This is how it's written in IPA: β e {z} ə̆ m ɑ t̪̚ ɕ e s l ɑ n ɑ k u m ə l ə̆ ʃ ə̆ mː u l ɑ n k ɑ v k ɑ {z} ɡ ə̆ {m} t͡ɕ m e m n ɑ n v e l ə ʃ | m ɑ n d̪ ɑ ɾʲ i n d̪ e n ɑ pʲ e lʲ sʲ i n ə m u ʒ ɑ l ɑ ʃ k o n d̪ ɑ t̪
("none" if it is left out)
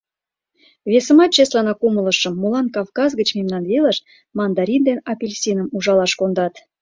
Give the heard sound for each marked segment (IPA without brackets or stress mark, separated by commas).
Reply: s, z, none